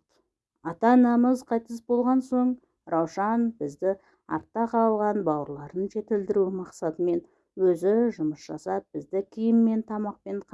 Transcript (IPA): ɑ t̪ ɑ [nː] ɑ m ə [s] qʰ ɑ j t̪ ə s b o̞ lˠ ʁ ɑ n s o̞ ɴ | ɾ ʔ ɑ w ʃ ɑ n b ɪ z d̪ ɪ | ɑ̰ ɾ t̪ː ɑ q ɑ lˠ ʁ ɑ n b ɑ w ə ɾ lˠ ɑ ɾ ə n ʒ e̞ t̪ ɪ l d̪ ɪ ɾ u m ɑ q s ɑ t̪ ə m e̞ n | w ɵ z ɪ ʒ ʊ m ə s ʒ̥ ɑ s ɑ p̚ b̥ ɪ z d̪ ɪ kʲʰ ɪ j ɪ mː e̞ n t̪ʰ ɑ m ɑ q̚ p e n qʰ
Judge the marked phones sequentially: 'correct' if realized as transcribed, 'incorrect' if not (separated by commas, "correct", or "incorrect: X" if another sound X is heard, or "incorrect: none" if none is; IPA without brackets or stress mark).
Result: incorrect: n, incorrect: z